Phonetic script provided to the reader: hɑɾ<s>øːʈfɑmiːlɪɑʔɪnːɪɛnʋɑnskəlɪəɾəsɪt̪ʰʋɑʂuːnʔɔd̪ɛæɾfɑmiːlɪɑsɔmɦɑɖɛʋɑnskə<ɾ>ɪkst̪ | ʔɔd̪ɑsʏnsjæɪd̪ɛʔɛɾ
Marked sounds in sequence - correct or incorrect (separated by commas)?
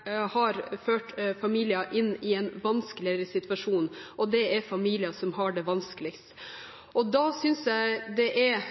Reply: incorrect, incorrect